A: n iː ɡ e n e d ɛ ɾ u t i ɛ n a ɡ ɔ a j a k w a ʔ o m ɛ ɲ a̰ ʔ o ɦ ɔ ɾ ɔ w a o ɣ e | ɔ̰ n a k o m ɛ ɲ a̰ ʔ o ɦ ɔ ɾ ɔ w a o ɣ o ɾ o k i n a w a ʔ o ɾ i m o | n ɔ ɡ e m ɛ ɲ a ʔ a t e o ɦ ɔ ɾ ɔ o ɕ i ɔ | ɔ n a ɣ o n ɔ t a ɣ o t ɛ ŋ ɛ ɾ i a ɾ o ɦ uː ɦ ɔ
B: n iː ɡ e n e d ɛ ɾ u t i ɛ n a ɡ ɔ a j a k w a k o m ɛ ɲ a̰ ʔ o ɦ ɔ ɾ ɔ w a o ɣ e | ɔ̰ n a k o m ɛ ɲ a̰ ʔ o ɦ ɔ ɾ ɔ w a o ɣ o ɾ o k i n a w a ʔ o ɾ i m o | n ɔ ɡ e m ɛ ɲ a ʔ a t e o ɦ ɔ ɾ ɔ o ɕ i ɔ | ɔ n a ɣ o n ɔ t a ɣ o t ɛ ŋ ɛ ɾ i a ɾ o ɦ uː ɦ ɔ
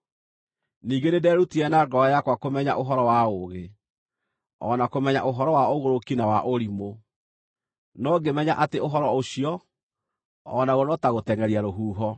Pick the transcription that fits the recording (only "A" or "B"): B